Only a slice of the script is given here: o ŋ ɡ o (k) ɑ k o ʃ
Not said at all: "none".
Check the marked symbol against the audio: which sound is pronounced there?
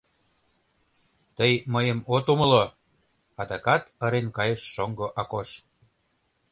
ʔ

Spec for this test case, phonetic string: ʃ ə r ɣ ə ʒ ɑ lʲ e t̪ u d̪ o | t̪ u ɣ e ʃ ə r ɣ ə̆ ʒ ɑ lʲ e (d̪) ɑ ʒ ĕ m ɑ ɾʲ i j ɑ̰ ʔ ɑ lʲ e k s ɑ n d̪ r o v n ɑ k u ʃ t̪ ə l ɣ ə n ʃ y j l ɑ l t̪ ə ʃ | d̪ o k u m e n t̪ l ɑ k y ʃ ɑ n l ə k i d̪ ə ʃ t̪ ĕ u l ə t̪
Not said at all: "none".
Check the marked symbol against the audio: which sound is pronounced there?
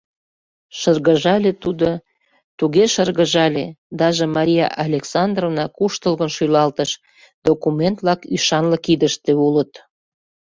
d̪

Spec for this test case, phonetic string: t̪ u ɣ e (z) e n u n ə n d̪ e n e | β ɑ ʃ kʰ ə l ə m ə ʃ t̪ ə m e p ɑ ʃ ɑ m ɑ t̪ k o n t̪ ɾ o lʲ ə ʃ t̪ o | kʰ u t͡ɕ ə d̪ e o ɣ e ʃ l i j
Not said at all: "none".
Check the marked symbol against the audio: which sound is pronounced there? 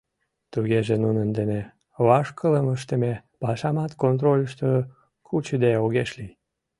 ʒ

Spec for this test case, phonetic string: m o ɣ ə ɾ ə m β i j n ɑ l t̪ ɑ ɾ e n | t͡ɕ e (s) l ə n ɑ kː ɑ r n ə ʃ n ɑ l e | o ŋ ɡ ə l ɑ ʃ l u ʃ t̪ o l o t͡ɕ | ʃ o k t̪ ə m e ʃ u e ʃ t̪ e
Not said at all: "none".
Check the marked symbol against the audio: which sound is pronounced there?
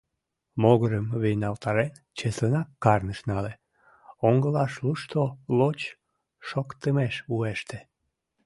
s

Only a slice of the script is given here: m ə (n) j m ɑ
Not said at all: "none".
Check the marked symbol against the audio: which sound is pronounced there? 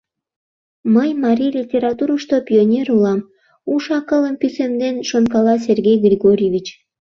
none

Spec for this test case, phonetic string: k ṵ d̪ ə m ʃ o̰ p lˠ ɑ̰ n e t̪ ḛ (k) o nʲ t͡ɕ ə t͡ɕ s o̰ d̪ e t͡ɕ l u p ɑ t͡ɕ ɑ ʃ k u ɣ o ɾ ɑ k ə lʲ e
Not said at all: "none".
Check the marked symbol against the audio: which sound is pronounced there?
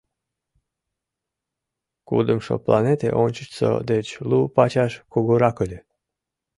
ʔ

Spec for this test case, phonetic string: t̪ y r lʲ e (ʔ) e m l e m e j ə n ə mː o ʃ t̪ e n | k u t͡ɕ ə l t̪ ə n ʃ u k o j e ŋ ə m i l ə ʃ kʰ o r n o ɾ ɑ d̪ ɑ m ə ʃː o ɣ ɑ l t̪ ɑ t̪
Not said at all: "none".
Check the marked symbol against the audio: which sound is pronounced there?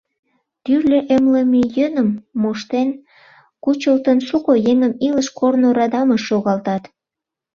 ʔ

